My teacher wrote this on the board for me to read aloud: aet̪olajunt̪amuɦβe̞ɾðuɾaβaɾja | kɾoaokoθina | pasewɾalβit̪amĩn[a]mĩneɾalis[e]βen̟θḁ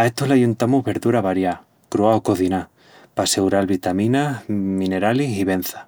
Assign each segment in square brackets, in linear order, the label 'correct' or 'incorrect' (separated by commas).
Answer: correct, incorrect